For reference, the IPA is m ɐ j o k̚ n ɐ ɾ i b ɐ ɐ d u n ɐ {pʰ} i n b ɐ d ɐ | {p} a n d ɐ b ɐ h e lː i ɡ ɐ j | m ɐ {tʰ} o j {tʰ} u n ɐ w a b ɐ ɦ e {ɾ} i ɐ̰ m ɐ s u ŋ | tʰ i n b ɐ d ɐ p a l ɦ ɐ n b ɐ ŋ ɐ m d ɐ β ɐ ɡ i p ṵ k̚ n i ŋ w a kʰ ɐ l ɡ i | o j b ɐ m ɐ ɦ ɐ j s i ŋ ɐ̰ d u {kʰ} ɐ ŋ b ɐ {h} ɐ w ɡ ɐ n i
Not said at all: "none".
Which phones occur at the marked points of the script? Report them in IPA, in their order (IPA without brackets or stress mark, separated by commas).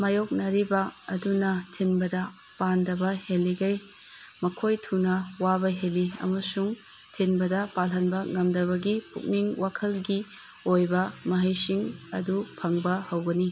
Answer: tʰ, p, kʰ, tʰ, l, pʰ, h